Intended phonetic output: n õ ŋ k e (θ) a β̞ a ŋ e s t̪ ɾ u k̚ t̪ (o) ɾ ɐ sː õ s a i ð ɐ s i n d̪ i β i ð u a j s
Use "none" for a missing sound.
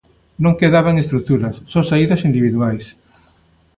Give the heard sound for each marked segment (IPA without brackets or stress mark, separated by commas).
ð, u